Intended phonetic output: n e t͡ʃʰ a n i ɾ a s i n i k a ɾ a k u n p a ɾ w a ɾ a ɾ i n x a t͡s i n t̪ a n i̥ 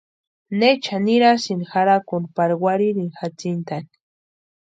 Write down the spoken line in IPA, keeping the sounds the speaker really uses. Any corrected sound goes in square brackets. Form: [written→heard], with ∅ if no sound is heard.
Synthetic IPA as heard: n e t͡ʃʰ a n i ɾ a s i n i [k→x] a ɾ a k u n p a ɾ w a ɾ [a→i] ɾ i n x a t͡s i n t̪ a n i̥